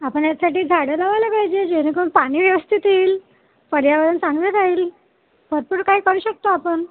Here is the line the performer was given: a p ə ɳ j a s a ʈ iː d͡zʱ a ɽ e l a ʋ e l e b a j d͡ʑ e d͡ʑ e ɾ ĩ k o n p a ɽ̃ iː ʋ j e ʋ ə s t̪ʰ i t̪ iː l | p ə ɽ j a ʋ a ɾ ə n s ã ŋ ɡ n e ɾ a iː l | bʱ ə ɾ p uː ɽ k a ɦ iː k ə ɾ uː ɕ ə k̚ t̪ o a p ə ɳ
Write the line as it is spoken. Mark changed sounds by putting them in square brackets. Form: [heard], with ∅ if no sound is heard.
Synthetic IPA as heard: a p ə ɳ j a s a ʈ iː d͡zʱ a ɽ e l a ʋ [a] l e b a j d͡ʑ e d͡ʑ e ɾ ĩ k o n p a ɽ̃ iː ʋ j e ʋ ə s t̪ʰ i t̪ iː l | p ə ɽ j a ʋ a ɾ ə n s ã ŋ ɡ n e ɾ a iː l | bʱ ə ɾ p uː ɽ k a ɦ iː k ə ɾ uː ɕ ə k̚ t̪ o a p ə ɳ